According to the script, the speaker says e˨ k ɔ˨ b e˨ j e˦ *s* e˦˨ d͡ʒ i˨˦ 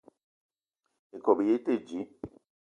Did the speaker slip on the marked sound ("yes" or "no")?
yes